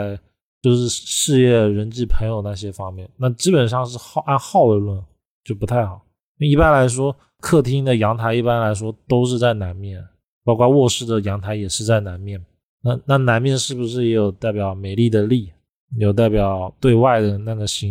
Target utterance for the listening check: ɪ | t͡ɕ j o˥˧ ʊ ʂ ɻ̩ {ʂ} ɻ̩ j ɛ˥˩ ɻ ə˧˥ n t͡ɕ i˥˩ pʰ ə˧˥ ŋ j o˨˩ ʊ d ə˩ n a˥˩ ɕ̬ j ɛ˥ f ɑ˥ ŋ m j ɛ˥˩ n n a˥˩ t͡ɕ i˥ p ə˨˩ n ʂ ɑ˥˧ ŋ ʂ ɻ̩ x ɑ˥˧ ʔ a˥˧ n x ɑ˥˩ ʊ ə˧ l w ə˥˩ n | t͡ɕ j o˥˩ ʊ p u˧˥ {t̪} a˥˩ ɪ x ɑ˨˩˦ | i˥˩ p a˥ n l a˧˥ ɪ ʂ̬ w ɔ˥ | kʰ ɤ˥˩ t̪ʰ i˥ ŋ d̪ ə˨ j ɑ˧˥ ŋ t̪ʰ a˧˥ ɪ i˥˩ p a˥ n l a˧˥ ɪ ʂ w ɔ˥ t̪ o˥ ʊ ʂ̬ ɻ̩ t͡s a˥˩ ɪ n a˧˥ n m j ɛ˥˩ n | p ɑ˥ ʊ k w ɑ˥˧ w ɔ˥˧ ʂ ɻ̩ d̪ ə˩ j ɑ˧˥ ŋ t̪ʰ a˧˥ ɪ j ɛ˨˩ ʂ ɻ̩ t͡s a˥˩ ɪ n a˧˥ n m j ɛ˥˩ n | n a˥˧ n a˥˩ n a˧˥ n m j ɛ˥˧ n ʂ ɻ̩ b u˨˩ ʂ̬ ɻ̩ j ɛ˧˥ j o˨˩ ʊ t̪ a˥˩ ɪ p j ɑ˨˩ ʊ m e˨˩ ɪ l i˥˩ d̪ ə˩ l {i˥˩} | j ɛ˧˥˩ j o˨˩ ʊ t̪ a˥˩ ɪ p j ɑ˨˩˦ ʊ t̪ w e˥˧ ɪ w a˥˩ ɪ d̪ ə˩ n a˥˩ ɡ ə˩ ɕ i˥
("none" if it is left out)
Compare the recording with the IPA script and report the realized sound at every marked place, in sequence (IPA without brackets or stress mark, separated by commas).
ʂ, t̪ʰ, i˥˩